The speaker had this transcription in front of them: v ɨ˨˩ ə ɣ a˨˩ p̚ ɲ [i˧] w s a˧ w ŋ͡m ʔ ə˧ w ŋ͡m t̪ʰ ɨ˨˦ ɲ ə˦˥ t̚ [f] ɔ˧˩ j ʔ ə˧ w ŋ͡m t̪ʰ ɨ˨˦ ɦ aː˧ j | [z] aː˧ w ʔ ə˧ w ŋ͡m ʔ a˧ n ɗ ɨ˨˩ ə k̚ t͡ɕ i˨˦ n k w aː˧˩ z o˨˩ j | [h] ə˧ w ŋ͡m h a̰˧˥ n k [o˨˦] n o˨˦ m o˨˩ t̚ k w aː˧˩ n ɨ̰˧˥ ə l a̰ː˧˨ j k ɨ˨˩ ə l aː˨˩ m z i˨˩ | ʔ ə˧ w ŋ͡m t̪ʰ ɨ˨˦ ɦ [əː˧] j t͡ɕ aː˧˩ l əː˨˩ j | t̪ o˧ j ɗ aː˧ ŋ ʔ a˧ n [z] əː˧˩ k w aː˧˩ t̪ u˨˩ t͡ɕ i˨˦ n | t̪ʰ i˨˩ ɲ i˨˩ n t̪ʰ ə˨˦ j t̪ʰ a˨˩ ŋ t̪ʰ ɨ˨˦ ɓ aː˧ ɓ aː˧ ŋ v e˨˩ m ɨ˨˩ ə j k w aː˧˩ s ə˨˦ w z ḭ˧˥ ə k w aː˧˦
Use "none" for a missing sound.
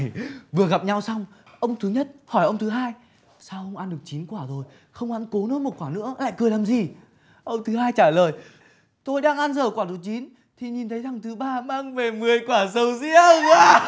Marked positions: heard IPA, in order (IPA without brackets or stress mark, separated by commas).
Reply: a˧, h, s, x, o˨˦, aː˧, z